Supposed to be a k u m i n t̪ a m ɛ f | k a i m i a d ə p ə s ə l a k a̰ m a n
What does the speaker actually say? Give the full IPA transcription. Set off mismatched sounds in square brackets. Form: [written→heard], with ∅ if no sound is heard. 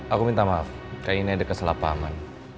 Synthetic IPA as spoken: a k u m i n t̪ a m [ɛ→a] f | k a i [m→n] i a d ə [p→k] ə s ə l a [k→p] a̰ m a n